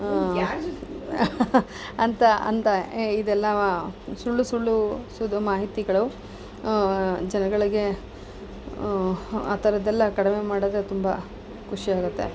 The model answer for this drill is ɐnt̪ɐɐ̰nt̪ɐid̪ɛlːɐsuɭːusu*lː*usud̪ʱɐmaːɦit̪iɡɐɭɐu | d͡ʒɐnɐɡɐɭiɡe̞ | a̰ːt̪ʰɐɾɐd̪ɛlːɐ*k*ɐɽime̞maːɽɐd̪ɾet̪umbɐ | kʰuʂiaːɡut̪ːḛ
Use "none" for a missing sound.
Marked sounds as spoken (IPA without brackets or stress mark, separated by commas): ɭː, k